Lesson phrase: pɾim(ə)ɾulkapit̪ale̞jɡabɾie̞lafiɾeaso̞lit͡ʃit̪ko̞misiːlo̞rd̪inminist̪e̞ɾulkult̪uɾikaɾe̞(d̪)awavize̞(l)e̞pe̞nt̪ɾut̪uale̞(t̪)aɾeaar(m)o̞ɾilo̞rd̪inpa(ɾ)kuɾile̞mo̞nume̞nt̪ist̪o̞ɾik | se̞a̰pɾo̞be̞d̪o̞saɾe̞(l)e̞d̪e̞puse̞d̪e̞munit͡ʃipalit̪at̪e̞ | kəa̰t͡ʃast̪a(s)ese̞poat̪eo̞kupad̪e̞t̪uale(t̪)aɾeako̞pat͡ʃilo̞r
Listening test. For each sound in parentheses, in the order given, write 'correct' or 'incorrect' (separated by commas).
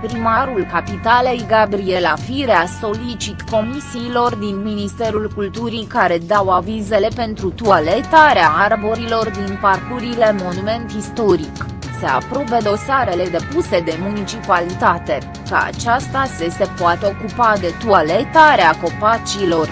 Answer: incorrect, correct, correct, correct, incorrect, incorrect, correct, correct, correct